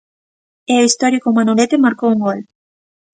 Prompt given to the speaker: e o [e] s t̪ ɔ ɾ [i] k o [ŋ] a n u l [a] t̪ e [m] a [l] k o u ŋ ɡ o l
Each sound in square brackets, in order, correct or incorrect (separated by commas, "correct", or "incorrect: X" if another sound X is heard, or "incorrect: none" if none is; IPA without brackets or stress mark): incorrect: i, correct, incorrect: m, incorrect: e, correct, incorrect: ɾ